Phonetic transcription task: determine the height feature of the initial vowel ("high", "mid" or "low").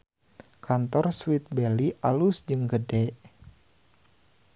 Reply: low